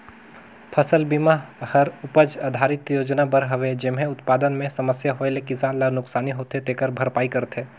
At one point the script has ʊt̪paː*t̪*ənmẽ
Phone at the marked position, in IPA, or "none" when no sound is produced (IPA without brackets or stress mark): d̪